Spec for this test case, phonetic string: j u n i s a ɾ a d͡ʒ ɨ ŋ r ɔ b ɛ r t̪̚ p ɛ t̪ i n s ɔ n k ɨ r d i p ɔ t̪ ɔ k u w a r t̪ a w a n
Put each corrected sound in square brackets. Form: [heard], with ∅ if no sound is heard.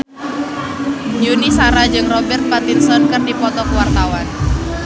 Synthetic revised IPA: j u n i s a ɾ a d͡ʒ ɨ ŋ r ɔ b ɛ r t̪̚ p [a] t̪ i n s ɔ n k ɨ r d i p ɔ t̪ ɔ k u w a r t̪ a w a n